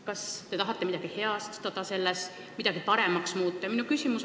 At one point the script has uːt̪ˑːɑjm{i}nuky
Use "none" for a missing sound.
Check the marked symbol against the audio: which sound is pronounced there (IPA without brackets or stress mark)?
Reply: i